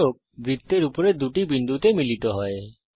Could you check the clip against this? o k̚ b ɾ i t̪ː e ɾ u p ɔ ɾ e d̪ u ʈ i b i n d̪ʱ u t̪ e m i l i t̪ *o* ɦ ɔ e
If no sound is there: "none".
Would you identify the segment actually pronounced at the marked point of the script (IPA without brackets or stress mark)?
ɔ